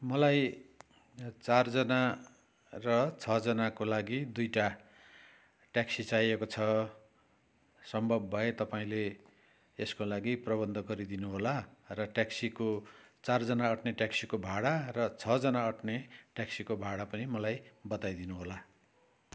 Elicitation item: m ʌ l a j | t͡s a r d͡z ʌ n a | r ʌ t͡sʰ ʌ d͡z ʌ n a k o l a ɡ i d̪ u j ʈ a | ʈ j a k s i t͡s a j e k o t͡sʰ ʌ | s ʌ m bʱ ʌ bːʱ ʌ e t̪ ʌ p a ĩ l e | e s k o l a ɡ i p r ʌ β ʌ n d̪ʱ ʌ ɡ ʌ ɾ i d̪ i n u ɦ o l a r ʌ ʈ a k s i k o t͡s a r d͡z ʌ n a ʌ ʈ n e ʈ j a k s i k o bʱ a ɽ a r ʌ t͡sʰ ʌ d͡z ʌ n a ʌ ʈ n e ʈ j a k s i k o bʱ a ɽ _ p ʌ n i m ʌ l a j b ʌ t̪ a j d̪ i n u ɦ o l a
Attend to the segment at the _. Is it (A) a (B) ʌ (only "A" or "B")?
A